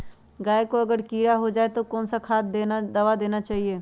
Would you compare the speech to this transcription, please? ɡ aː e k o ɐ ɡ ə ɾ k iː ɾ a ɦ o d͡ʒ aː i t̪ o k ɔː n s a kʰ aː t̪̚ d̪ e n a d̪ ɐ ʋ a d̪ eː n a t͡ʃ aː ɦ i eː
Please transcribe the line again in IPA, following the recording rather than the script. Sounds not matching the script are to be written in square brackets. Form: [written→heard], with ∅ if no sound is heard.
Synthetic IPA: ɡ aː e k o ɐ ɡ ə ɾ k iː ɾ a ɦ o d͡ʒ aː [i→e] t̪ o k ɔː n s a kʰ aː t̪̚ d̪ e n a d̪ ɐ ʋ a d̪ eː n a t͡ʃ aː ɦ i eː